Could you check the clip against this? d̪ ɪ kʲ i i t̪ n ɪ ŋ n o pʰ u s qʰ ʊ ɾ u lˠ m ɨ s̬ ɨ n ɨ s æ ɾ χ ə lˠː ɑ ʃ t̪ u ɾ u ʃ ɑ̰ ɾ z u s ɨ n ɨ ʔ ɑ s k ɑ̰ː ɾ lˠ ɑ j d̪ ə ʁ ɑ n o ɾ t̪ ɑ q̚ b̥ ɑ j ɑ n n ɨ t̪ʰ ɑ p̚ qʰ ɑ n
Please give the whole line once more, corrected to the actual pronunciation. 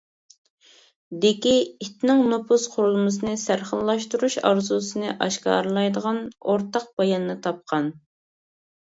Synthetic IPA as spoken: d̪ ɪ kʲ i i t̪ n ɪ ŋ n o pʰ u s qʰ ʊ ɾ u lˠ m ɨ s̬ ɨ n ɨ s æ ɾ χ ə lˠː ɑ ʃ t̪ u ɾ u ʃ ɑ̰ ɾ z u s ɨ n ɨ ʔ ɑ ʃ k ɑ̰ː ɾ lˠ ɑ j d̪ ə ʁ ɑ n o ɾ t̪ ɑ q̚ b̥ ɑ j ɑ n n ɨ t̪ʰ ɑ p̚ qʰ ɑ n